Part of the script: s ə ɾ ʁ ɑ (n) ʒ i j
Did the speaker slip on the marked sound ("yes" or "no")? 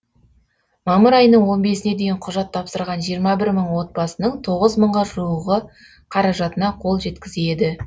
no